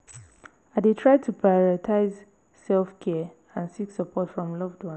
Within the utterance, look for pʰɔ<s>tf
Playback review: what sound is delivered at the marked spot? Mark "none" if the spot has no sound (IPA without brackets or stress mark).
none